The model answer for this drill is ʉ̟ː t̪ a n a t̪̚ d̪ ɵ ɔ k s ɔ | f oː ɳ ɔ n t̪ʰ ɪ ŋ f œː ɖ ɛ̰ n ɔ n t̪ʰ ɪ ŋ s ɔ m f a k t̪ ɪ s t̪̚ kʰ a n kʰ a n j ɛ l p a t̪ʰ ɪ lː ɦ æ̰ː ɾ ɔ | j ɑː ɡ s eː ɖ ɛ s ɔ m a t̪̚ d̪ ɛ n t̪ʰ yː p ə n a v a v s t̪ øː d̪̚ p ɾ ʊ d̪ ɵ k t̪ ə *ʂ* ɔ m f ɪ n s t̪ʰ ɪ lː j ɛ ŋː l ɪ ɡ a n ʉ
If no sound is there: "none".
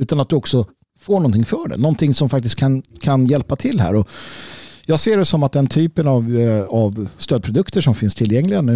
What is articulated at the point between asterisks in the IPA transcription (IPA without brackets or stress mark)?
ʂ